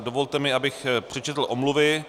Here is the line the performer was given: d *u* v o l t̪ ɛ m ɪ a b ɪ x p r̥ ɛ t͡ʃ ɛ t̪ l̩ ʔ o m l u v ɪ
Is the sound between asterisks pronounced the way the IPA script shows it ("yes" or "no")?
no